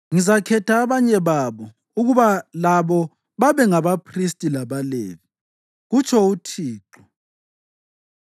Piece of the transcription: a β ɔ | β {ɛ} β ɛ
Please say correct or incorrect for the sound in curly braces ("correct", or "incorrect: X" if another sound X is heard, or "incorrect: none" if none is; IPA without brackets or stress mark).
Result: incorrect: a